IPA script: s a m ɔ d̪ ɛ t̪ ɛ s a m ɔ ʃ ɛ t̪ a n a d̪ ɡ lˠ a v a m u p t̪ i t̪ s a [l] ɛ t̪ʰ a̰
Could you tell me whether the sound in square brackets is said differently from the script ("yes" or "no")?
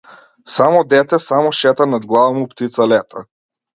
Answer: no